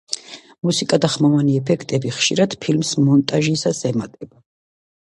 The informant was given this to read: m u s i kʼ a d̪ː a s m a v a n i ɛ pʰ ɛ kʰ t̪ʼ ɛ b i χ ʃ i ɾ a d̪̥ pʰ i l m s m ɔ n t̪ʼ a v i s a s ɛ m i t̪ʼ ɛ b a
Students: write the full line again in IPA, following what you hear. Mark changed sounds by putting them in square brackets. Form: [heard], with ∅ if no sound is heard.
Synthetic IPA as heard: m u s i kʼ a [d̪] a [χ] m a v a n i ɛ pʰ ɛ kʰ t̪ʼ ɛ b i χ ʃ i ɾ a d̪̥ pʰ i l m s m ɔ n t̪ʼ a [ʒ] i s a s ɛ m [a] t̪ʼ ɛ b a